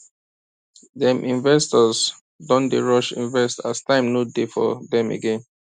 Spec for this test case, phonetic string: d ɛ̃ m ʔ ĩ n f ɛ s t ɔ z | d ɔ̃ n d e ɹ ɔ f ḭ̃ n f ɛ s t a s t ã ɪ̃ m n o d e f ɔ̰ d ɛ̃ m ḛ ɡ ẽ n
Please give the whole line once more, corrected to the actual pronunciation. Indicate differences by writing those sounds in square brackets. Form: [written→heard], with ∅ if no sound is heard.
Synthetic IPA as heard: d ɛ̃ m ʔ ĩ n [f→v] ɛ s t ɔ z | d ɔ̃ n d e ɹ ɔ [f→ʃ] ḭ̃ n [f→v] ɛ s t a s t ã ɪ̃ m n o d e f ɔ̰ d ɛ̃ m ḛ ɡ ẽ n